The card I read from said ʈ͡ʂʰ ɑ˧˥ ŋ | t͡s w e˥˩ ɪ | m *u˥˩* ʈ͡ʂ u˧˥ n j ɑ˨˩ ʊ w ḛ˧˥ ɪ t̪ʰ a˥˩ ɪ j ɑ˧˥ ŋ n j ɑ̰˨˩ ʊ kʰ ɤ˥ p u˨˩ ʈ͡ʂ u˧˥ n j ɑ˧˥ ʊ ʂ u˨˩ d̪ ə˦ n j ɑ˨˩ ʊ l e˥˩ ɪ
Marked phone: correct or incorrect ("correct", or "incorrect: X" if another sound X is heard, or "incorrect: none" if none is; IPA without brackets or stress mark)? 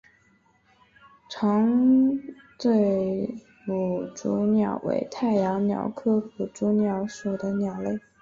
incorrect: u˨˩